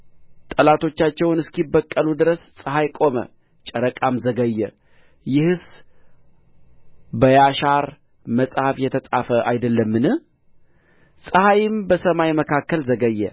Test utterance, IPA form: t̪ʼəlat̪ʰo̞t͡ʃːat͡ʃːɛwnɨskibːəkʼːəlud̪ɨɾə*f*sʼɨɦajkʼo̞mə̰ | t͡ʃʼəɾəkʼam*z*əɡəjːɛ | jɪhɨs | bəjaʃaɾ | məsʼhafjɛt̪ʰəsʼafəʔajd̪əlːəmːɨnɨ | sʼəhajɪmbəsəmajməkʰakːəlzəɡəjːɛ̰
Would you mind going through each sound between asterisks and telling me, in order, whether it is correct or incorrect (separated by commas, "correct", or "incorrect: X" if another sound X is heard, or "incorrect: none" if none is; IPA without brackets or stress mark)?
incorrect: s, correct